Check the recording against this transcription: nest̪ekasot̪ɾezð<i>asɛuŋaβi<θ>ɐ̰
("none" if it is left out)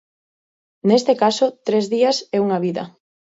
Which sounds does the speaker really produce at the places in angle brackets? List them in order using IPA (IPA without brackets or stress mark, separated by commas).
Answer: i, ð